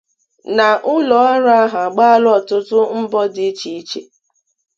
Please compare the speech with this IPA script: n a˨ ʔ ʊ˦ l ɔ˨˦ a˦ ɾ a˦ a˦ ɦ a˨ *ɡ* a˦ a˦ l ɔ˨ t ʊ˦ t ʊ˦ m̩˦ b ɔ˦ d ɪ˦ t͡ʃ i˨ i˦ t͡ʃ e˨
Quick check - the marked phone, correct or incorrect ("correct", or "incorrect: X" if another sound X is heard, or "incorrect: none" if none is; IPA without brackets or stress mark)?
incorrect: ɡ͡b